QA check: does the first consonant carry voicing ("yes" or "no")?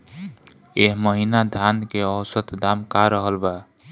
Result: yes